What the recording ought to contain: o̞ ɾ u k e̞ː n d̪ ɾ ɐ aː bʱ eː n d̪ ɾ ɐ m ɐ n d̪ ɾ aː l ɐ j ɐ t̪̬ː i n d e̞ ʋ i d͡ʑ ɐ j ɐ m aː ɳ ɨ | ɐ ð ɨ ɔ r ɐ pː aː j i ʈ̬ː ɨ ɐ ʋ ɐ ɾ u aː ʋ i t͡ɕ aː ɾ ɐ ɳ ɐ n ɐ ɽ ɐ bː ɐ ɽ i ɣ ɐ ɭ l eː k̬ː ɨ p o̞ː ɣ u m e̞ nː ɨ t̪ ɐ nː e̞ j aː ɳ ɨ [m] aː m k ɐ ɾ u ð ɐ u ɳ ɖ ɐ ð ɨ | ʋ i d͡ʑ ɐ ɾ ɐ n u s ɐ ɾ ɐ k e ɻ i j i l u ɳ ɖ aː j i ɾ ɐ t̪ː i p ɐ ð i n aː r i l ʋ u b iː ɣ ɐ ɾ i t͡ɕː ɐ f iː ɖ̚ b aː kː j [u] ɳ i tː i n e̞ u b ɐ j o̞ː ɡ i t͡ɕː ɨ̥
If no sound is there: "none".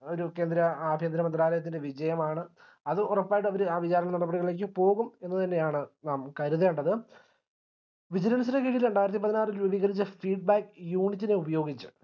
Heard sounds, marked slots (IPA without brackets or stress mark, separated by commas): n, uː